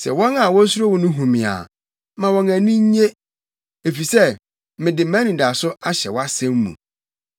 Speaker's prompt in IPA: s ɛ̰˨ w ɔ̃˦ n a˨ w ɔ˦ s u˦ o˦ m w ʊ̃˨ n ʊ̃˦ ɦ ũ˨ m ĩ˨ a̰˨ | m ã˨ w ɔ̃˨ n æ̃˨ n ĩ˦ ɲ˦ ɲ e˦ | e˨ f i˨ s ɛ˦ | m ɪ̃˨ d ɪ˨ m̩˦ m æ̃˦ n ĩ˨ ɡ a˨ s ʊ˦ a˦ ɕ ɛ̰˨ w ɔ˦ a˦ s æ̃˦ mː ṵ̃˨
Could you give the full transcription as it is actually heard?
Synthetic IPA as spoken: s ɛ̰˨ w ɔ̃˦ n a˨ w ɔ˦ s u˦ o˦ w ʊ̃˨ n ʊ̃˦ ɦ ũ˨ m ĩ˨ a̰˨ | m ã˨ w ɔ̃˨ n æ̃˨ n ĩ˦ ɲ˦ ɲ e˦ | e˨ f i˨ s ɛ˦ | m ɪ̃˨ d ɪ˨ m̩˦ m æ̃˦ n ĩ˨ d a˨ s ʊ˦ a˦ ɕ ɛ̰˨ w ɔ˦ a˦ s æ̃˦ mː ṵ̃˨